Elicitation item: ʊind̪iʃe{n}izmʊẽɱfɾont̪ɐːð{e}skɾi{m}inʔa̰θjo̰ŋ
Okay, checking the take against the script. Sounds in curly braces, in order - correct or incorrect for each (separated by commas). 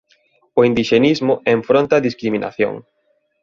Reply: correct, incorrect, correct